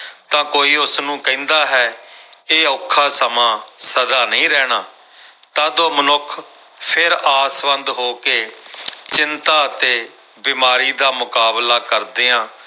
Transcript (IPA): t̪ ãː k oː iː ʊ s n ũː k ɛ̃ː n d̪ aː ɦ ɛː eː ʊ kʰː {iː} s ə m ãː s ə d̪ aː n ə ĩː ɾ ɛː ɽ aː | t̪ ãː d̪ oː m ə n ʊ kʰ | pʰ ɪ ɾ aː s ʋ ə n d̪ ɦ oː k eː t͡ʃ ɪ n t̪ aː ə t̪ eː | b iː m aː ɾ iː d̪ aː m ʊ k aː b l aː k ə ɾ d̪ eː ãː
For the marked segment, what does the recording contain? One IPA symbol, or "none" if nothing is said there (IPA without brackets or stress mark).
aː